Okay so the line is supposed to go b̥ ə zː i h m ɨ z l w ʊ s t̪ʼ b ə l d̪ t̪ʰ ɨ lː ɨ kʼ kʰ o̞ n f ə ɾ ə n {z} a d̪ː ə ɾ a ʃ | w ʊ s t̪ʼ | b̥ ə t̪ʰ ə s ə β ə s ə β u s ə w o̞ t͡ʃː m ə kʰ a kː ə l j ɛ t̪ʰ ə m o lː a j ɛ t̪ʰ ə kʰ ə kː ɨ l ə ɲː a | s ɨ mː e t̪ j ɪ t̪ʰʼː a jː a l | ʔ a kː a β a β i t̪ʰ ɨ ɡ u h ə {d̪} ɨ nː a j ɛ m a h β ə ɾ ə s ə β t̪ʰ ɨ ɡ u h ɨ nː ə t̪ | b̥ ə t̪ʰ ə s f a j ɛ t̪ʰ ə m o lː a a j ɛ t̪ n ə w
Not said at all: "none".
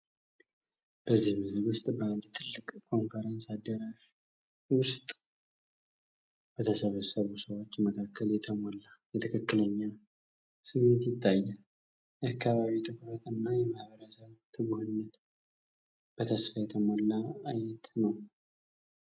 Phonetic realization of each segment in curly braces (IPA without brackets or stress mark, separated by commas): s, t̪